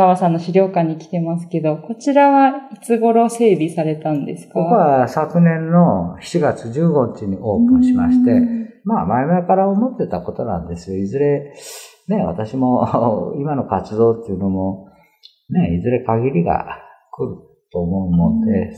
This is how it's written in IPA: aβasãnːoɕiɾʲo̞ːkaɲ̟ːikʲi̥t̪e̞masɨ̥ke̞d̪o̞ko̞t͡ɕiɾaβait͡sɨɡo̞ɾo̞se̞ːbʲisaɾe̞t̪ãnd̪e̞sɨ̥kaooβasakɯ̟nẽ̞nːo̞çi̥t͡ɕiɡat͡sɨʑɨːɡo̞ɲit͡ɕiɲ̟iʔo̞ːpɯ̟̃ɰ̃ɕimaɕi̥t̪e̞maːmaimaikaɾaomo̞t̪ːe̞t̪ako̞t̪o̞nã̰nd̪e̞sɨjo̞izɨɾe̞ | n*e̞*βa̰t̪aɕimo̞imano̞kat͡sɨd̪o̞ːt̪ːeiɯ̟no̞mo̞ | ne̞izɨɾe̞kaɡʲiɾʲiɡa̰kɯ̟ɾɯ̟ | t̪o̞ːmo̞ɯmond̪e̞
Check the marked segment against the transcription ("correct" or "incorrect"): correct